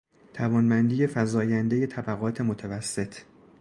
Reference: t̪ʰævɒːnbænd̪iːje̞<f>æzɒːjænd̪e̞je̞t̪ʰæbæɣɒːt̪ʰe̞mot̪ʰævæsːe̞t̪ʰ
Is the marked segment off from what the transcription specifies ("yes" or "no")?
no